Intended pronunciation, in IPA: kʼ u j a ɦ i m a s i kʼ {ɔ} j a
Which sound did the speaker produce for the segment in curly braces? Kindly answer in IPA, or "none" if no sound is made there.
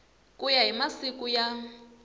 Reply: u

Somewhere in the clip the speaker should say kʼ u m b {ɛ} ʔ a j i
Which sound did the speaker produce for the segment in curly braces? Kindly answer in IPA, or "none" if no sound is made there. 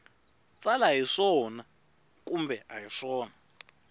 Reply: ɛ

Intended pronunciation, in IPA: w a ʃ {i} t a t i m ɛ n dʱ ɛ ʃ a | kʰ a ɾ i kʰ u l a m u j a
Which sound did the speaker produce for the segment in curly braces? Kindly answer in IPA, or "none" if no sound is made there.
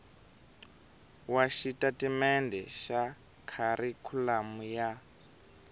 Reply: i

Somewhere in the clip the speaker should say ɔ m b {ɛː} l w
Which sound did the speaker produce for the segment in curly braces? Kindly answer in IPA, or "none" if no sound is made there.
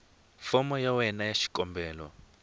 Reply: ɛː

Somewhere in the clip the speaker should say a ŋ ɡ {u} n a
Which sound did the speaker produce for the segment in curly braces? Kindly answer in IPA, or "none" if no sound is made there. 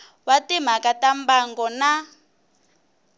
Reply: ɔ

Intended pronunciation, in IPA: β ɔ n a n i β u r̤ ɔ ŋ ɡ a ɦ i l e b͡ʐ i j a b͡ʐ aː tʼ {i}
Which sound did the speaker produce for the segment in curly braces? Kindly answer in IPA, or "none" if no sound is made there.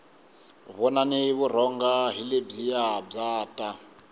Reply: a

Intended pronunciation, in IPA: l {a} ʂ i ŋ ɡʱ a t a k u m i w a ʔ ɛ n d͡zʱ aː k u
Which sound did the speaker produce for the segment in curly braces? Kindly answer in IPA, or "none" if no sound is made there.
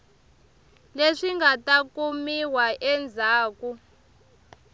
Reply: e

